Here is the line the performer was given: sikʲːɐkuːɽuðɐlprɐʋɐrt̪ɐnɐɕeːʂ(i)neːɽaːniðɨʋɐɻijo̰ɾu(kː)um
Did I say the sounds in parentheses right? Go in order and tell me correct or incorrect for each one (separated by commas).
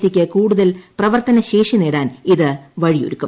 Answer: correct, correct